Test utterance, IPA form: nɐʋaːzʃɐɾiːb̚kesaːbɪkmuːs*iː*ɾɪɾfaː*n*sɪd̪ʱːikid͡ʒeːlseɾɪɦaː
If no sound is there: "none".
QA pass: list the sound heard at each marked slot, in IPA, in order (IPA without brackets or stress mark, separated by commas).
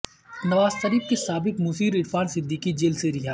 iː, n